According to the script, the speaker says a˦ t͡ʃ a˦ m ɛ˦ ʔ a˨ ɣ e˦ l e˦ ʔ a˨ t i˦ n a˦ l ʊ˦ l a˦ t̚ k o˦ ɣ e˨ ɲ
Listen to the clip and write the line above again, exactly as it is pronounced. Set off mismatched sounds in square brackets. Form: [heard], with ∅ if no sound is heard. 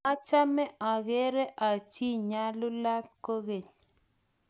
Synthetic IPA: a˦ t͡ʃ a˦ m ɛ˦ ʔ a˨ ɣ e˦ [ɾ] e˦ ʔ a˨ [t͡ʃ] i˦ [ɲ] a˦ l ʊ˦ l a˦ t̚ k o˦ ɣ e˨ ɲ